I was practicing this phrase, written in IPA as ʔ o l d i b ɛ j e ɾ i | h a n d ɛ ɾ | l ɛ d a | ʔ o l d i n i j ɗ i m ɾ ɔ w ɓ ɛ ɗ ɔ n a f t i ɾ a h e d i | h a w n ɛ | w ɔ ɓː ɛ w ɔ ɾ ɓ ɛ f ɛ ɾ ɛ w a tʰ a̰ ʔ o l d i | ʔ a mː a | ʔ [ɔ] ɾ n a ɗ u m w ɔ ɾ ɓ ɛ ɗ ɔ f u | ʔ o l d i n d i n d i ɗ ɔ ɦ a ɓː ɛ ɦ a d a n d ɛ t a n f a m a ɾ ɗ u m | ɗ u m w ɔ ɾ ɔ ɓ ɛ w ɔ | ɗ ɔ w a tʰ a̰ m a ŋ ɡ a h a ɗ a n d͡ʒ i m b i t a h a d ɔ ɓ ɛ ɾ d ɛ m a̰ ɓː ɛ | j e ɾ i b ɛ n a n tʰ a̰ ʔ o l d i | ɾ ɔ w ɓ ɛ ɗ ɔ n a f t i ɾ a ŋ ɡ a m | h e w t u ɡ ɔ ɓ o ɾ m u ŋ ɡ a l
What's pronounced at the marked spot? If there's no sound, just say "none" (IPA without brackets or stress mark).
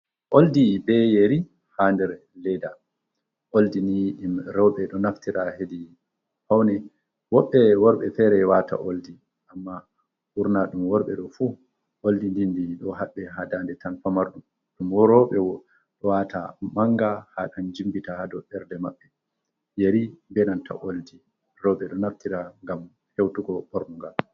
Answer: u